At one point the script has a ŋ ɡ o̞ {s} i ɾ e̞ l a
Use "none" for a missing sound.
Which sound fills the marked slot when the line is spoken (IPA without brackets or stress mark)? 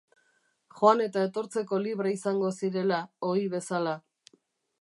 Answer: s